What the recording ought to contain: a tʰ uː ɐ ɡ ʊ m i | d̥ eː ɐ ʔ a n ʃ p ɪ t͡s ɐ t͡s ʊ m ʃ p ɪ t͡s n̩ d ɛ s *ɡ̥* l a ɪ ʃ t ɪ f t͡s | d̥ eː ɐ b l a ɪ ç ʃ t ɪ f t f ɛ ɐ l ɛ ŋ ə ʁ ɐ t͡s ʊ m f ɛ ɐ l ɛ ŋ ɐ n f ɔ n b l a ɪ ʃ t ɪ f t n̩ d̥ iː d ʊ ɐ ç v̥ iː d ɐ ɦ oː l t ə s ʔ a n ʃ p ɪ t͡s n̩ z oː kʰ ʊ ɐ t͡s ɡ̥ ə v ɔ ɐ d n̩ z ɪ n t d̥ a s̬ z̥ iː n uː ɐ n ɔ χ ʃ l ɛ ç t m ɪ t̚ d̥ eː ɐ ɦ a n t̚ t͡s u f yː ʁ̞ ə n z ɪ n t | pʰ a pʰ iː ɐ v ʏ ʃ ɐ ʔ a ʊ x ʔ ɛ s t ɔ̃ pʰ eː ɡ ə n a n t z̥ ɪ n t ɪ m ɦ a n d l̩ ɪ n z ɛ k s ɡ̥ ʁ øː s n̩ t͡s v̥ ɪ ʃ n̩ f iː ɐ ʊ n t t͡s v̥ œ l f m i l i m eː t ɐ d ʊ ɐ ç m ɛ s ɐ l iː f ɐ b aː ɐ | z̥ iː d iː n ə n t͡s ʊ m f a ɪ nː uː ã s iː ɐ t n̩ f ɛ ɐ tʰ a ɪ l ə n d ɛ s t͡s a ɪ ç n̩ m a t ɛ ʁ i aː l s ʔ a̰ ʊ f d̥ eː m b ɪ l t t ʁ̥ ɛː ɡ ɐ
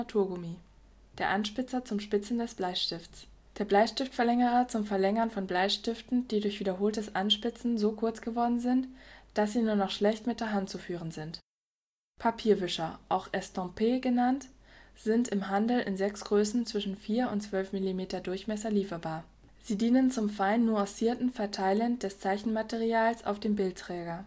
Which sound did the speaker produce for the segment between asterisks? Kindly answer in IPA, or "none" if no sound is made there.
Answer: b̥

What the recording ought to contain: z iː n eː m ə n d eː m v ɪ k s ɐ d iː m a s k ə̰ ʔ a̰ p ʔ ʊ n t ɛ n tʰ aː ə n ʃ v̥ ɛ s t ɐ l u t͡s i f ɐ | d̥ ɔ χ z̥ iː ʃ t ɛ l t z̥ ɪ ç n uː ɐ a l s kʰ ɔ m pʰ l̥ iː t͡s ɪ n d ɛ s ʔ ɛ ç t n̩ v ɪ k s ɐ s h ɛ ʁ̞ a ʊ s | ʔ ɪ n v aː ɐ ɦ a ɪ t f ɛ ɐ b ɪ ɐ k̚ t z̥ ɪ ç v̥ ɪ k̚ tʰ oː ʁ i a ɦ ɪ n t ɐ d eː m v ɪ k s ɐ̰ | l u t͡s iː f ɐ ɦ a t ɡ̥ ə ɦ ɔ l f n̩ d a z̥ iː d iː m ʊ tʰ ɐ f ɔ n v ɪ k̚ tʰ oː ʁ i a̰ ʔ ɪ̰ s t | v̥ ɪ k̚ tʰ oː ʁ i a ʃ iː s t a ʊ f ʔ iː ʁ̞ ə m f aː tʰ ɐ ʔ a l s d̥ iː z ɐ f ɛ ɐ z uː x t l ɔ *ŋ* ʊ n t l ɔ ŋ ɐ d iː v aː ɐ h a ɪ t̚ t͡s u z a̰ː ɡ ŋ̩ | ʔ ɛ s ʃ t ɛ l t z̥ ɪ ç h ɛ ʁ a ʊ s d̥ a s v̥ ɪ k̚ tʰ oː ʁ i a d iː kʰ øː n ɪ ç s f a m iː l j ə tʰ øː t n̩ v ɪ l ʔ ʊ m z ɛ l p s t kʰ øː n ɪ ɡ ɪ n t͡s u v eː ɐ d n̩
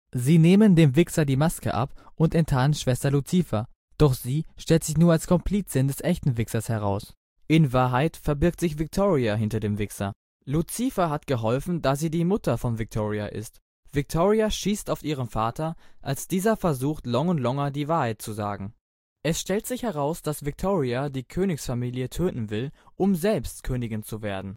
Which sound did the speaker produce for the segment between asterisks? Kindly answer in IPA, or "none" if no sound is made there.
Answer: ŋ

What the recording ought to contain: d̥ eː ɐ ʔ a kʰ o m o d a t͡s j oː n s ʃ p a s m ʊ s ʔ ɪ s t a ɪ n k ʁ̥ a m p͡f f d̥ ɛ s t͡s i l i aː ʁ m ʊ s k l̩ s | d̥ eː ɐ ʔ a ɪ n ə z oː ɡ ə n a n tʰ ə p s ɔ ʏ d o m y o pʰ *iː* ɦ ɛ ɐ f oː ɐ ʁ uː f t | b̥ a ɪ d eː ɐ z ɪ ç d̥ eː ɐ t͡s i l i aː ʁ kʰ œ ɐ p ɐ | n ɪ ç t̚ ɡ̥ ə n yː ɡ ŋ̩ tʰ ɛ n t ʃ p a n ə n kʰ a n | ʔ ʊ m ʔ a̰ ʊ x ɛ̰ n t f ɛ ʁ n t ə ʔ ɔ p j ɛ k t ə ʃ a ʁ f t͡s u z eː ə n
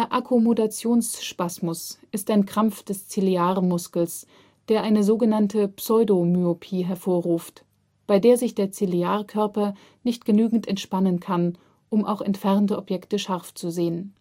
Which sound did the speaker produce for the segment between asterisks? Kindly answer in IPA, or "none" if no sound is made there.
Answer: iː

